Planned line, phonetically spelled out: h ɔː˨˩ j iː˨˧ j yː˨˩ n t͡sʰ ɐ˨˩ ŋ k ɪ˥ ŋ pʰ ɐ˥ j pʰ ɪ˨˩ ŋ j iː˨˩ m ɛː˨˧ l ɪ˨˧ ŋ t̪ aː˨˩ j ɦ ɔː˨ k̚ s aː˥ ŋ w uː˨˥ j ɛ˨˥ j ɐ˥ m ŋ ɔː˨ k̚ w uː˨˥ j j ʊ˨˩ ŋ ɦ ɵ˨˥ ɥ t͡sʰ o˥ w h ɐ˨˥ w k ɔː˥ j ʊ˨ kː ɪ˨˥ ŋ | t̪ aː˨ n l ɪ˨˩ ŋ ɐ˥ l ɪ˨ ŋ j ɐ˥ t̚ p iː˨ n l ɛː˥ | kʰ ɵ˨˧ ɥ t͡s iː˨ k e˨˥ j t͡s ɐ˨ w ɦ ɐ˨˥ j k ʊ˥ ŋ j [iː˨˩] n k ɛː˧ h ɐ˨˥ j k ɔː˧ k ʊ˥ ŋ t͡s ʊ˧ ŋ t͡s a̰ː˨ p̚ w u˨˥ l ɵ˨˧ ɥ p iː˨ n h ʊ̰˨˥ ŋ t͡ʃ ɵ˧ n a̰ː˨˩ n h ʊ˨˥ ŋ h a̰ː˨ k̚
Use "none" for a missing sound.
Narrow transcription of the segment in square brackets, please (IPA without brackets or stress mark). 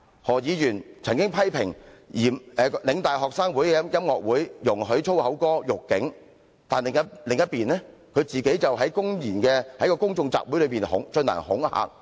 iː˨˩